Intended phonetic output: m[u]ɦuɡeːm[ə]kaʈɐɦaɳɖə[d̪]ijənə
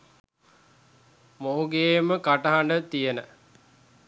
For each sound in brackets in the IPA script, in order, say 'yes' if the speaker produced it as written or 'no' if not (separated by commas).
no, yes, no